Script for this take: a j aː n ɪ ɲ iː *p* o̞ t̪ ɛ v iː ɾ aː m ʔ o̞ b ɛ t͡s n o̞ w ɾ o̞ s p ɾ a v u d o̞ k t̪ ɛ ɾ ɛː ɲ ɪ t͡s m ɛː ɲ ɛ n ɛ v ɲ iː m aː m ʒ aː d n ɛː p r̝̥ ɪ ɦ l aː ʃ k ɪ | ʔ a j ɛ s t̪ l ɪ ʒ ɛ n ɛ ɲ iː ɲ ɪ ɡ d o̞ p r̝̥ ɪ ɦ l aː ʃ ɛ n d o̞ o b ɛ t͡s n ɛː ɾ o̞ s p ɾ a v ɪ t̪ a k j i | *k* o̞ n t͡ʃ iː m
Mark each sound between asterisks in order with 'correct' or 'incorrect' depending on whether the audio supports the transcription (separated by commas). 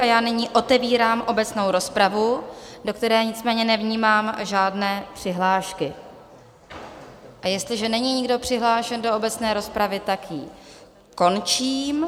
incorrect, correct